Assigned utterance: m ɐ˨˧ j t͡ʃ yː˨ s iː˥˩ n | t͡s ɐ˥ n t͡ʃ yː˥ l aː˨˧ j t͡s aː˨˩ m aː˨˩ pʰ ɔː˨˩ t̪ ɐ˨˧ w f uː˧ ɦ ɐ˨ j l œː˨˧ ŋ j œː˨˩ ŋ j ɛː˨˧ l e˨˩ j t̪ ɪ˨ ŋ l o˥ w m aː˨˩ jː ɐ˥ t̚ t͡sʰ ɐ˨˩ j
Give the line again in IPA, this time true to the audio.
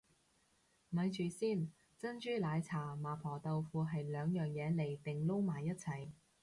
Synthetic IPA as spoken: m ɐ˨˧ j t͡ʃ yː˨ s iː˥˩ n | t͡s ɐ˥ n t͡ʃ yː˥ l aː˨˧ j t͡sʰ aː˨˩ m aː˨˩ pʰ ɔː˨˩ t̪ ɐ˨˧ w f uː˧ ɦ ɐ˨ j l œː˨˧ ŋ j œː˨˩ ŋ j ɛː˨˧ l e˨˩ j t̪ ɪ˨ ŋ l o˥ w m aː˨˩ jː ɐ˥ t̚ t͡sʰ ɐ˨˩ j

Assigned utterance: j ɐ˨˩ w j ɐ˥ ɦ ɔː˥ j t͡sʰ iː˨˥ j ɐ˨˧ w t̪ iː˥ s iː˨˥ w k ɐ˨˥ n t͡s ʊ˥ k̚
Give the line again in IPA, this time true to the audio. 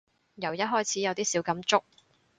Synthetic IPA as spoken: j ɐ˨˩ w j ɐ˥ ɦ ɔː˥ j t͡sʰ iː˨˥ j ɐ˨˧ w t̪ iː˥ s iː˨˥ w k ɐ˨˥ m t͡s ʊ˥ k̚

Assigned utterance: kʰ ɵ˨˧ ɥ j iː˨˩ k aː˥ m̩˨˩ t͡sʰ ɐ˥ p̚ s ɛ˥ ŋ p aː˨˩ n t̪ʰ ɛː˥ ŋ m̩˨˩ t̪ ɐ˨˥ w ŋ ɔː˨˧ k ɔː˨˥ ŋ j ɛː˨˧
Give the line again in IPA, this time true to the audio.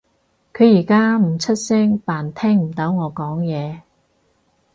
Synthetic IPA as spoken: kʰ ɵ˨˧ ɥ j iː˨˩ k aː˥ m̩˨˩ t͡sʰ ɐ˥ t̚ s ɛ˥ ŋ p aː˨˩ n t̪ʰ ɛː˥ ŋ m̩˨˩ t̪ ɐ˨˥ w ŋ ɔː˨˧ k ɔː˨˥ ŋ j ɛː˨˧

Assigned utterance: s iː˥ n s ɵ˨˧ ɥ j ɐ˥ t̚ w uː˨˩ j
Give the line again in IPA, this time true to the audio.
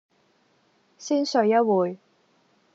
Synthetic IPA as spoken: s iː˥ n s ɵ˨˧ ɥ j ɐ˥ t̚ w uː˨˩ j

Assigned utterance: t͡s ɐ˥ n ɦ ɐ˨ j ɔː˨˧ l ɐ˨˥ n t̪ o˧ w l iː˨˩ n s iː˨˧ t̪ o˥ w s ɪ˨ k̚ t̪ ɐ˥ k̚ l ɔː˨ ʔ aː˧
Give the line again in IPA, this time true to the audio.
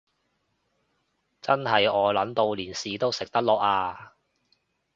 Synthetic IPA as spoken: t͡s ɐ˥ n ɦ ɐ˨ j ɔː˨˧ l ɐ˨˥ n t̪ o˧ w l iː˨˩ n s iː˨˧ t̪ o˥ w s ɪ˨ k̚ t̪ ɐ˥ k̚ l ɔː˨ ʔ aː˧

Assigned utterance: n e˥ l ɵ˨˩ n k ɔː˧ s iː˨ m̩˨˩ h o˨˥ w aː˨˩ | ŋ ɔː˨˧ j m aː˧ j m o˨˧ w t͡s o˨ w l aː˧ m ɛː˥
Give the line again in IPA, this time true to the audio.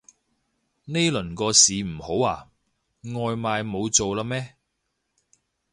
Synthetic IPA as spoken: n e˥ l ɵ˨˩ n k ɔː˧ s iː˨ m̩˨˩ h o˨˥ w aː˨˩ | ŋ ɔː˨˧ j m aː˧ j m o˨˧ w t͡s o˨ w l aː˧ m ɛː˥

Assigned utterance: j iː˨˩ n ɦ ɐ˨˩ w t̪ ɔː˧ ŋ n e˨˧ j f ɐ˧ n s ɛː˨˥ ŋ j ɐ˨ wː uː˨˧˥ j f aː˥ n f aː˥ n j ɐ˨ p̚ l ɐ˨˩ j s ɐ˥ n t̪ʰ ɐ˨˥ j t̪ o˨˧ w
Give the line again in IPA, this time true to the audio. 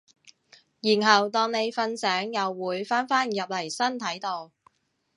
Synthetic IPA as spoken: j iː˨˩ n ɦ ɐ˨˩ w t̪ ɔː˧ ŋ n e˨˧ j f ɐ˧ n s ɛː˨˥ ŋ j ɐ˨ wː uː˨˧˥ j f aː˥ n f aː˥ n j ɐ˨ p̚ l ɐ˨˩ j s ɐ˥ n t̪ʰ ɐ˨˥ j t̪ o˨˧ w

